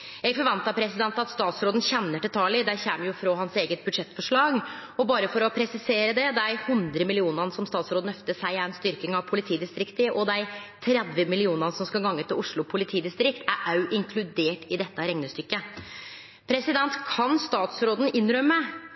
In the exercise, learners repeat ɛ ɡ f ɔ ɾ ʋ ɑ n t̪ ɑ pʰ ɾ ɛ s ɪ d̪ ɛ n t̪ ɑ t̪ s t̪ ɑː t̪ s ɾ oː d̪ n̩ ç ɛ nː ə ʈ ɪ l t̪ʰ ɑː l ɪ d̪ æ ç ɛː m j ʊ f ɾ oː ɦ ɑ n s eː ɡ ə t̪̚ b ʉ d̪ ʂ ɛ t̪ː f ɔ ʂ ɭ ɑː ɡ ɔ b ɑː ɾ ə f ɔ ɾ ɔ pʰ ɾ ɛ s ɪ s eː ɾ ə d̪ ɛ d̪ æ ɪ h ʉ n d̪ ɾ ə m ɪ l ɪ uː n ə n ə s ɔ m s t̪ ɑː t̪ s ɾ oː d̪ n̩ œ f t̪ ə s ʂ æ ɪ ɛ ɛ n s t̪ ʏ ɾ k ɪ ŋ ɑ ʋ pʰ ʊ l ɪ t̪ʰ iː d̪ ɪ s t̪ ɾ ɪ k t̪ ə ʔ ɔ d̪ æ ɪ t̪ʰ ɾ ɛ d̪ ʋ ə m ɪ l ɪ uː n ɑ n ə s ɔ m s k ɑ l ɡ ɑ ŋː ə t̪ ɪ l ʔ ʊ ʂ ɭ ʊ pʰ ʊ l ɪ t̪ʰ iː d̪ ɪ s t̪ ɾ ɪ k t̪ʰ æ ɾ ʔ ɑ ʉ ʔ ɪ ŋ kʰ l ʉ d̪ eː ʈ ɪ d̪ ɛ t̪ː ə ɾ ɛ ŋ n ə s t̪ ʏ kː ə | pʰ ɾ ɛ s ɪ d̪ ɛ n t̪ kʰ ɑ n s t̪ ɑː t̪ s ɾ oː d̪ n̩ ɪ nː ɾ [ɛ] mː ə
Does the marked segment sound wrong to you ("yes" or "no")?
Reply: yes